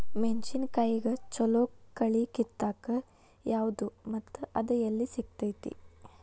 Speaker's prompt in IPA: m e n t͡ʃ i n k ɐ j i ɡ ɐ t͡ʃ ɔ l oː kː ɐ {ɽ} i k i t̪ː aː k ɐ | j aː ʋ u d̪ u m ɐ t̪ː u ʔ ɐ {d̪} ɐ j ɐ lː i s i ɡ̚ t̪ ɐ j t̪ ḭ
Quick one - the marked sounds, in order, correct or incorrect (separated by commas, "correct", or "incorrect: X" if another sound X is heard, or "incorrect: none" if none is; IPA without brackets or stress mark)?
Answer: incorrect: ɭ, correct